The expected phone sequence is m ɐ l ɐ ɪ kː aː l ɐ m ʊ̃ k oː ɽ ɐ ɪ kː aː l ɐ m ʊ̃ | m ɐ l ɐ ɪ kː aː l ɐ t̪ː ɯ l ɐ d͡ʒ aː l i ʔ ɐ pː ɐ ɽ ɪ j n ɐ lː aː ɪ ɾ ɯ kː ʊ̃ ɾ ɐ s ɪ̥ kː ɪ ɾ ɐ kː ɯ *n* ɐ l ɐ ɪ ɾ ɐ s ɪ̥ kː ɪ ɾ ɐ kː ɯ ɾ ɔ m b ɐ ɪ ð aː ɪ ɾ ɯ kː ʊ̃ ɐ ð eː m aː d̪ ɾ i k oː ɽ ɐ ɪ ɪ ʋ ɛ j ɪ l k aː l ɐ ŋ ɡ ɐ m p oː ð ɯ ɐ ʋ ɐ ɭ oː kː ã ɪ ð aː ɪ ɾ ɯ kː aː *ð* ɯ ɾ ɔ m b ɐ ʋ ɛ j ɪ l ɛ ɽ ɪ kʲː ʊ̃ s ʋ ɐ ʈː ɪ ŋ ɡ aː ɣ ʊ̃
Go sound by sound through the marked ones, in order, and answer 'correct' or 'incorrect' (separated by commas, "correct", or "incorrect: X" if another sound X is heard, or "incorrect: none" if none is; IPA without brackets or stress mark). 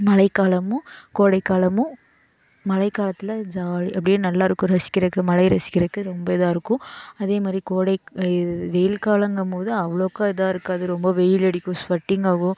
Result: incorrect: m, correct